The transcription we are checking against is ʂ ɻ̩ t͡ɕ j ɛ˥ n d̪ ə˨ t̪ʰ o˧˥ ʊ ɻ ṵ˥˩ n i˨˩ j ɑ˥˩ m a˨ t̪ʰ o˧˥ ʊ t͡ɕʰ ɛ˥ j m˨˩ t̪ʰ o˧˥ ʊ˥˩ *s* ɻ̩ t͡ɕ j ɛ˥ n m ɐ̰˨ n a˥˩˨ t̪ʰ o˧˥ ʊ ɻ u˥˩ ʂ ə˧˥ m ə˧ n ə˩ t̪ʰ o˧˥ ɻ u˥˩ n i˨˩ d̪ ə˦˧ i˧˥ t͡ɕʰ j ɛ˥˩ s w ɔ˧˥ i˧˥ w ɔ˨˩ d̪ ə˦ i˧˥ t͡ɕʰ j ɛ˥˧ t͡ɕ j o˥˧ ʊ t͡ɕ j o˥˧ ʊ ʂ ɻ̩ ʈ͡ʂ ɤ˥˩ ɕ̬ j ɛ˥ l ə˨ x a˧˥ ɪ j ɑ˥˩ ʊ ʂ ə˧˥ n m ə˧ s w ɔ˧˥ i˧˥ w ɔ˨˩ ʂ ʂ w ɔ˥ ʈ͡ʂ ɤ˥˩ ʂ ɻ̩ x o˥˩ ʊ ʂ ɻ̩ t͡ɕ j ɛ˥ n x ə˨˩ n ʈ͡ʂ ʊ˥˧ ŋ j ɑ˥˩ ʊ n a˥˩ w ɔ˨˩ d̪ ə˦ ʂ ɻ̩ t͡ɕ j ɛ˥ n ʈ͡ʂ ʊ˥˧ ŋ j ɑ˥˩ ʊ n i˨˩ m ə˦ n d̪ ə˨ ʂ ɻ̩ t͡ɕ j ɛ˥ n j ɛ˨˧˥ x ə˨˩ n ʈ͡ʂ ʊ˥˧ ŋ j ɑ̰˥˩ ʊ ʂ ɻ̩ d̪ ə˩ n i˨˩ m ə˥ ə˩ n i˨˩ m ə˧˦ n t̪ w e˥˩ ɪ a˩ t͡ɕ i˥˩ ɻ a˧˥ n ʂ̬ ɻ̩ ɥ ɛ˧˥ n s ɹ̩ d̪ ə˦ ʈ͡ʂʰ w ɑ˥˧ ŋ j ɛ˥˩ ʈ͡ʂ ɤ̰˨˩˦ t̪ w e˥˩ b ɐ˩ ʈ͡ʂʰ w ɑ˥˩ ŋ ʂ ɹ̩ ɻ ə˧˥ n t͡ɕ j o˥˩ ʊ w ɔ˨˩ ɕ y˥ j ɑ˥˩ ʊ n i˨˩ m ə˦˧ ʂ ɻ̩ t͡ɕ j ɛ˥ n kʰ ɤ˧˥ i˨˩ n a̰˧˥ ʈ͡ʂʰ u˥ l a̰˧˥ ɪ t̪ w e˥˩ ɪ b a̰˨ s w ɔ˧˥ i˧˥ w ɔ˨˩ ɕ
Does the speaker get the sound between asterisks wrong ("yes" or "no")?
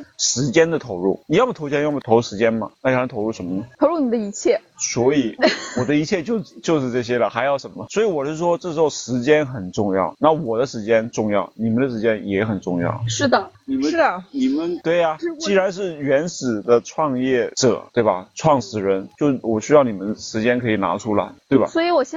yes